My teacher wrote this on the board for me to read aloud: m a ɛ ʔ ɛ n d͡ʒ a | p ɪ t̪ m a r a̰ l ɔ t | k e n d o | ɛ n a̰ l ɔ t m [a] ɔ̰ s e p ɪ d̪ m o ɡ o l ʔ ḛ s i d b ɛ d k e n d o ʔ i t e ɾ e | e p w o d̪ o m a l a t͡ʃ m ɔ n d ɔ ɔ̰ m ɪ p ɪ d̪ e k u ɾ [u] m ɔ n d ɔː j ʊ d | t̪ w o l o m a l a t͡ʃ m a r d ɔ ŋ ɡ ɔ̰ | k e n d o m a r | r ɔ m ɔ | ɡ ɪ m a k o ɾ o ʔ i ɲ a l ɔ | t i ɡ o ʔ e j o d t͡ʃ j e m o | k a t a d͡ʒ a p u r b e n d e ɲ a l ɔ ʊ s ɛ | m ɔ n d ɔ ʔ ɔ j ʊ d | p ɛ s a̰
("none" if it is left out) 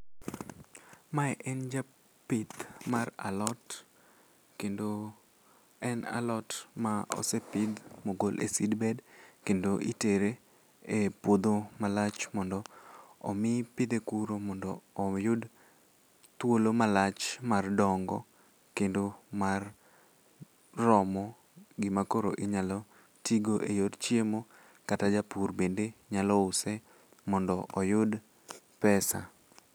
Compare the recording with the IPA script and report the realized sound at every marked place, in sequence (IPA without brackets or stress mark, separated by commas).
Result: a, o